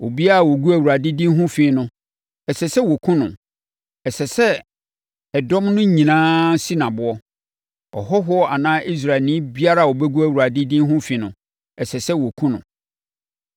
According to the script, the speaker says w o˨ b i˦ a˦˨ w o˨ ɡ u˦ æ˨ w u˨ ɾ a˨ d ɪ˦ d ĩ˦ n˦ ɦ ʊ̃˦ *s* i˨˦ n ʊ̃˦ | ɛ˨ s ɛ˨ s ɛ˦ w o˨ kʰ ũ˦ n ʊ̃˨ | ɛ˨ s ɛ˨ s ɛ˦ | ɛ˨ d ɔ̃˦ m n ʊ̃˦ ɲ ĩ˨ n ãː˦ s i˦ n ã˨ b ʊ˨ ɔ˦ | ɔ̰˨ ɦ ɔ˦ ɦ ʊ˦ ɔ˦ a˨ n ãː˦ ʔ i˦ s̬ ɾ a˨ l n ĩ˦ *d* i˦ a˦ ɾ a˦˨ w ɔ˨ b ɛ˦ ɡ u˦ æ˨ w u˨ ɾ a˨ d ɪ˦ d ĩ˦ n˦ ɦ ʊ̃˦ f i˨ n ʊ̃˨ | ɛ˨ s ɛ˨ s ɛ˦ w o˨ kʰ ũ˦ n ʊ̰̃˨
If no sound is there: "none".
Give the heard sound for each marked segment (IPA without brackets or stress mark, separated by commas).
f, b